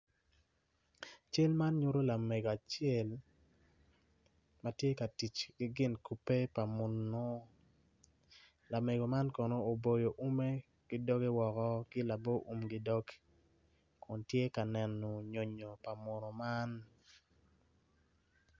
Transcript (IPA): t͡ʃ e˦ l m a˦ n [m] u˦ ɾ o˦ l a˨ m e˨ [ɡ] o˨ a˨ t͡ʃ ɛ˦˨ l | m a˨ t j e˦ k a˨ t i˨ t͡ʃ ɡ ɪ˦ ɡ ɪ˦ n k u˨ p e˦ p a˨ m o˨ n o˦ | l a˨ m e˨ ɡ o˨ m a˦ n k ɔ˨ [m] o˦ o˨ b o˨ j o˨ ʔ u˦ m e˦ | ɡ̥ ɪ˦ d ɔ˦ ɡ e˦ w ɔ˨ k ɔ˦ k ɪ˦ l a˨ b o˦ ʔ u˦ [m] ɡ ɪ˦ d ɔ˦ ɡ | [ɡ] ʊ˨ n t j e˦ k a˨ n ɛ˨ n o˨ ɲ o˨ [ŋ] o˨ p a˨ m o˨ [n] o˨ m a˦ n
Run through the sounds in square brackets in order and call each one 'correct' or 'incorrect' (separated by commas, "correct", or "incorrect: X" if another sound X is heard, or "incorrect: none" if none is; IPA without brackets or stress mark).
incorrect: ɲ, correct, incorrect: n, correct, incorrect: k, incorrect: ɲ, correct